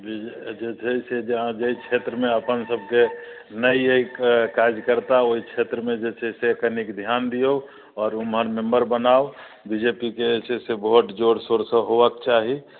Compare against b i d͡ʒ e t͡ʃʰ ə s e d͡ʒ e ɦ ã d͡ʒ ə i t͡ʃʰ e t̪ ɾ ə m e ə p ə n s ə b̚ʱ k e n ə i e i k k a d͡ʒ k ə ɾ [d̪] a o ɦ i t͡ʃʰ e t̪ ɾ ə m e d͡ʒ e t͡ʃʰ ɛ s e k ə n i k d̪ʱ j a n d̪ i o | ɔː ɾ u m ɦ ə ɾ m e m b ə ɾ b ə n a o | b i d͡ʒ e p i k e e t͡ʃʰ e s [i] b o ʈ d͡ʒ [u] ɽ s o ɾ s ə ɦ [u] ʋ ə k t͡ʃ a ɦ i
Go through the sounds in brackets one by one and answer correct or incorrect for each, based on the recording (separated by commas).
incorrect, incorrect, incorrect, incorrect